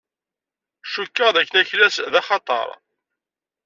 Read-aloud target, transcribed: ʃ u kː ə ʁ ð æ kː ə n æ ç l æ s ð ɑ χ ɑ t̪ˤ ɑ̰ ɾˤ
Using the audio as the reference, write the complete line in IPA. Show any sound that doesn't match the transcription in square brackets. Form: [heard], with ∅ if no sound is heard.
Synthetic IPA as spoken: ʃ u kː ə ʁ ð æ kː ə n æ ç l æ s ð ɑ χ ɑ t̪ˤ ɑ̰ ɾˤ